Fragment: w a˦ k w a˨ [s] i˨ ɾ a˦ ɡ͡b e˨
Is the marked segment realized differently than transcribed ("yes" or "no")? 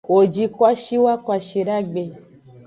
yes